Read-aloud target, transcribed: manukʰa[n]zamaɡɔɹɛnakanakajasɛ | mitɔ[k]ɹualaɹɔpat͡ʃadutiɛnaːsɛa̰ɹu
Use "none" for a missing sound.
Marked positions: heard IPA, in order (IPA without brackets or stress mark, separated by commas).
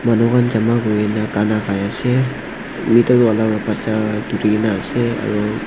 n, none